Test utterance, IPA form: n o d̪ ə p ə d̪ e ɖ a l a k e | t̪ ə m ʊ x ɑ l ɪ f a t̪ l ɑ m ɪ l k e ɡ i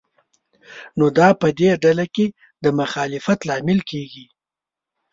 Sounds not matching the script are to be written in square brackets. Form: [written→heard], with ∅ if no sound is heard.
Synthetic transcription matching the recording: n o d̪ [ə→ɑ] p ə d̪ e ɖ a l a k e | [t̪→d̪] ə m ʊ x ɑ l ɪ f a t̪ l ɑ m ɪ l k e ɡ i